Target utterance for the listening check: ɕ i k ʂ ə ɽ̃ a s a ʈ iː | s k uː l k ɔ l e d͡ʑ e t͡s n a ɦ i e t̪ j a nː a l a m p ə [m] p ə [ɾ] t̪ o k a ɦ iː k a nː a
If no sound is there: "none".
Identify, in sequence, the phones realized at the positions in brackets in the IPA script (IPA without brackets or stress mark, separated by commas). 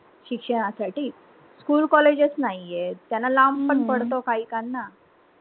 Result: ɳ, ɽ